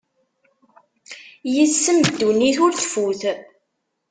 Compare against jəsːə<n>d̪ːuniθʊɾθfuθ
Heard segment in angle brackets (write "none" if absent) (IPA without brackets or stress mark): m